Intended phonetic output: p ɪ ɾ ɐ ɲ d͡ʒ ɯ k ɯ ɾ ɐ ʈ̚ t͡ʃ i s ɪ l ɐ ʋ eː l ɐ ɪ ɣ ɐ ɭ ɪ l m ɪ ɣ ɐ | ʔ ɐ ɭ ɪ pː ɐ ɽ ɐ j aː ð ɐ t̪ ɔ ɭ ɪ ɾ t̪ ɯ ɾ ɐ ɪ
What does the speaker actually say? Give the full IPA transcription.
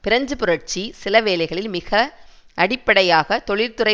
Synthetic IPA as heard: p ɪ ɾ ɐ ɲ d͡ʒ ɯ p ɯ ɾ ɐ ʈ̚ t͡ʃ i s ɪ l ɐ ʋ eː l ɐ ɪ ɣ ɐ ɭ ɪ l m ɪ ɣ ɐ | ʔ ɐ ɽ ɪ pː ɐ ɽ ɐ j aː ɣ ɐ t̪ ɔ ɭ ɪ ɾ t̪ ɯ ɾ ɐ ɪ